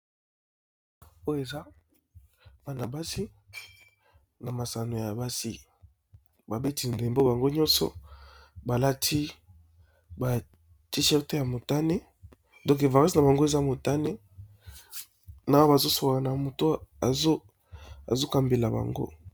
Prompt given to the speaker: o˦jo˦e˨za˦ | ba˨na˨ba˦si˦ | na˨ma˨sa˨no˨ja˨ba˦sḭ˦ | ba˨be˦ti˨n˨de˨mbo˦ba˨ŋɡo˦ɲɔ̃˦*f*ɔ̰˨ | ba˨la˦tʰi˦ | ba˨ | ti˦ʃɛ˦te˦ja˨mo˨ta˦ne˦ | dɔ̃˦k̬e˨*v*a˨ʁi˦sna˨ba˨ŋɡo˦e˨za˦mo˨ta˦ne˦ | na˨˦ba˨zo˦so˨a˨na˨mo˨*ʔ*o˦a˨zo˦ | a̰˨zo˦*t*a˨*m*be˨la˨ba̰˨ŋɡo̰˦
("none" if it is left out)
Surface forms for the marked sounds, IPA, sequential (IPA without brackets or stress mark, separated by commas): s, v, t, k, m